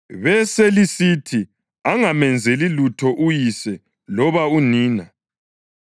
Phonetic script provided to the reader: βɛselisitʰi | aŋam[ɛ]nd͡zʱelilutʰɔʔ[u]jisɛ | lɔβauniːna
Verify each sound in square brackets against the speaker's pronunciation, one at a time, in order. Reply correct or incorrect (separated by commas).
correct, correct